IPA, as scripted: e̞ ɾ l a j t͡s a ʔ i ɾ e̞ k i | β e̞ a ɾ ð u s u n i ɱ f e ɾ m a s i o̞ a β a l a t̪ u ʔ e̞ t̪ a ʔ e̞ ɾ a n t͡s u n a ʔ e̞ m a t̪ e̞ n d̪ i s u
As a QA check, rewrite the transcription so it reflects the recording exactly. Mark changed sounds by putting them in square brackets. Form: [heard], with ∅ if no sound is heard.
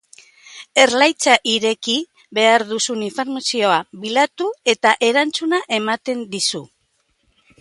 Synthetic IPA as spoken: e̞ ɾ l a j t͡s a ʔ i ɾ e̞ k i | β e̞ a ɾ ð u s u n i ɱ f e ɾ m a s i o̞ a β [i] l a t̪ u [∅] e̞ t̪ a ʔ e̞ ɾ a n t͡s u n a ʔ e̞ m a t̪ e̞ n d̪ i s u